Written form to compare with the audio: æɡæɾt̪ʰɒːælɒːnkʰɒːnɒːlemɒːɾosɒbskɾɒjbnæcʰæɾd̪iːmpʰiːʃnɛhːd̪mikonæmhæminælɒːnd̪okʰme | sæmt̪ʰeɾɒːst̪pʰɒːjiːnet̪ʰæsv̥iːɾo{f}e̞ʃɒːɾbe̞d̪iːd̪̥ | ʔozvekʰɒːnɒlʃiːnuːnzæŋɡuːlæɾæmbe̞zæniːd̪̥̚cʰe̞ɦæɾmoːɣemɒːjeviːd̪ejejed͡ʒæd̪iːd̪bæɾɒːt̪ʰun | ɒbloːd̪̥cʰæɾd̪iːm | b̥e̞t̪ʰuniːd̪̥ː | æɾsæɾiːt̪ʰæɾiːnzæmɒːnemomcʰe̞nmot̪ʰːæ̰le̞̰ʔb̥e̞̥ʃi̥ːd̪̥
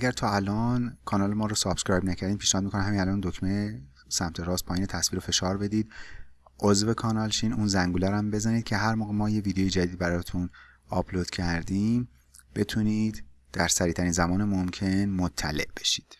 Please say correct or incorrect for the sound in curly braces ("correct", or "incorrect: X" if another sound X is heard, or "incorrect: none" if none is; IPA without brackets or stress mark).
correct